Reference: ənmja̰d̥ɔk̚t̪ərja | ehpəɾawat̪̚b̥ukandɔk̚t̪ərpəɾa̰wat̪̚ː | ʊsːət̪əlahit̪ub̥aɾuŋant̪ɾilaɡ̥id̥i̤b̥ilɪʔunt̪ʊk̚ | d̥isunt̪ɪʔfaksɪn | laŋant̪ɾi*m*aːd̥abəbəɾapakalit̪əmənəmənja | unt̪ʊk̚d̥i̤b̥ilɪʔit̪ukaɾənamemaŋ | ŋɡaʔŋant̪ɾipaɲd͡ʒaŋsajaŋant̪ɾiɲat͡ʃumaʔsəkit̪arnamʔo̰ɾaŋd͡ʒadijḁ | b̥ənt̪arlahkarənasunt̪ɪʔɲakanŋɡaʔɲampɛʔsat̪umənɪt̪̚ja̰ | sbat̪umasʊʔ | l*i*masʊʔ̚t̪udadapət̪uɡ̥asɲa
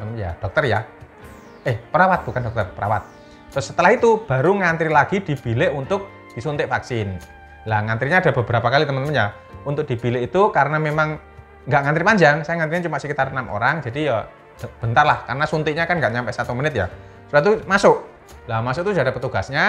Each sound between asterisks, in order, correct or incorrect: incorrect: ɲ, incorrect: a

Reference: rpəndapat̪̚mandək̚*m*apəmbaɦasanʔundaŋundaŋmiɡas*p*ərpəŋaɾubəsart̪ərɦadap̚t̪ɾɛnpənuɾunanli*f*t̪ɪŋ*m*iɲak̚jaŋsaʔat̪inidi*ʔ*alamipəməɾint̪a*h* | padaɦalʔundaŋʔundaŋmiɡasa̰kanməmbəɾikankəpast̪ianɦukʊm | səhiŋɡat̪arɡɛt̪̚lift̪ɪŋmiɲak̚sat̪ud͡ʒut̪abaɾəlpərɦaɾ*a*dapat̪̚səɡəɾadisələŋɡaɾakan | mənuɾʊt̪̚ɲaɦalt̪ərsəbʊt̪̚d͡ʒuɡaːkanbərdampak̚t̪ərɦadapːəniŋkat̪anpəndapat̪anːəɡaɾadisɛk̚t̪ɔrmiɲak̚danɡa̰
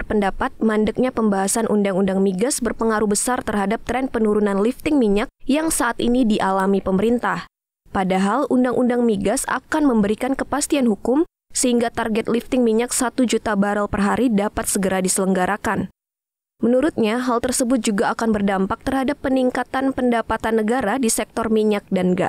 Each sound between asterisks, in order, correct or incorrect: incorrect: ɲ, incorrect: b, correct, correct, correct, correct, incorrect: i

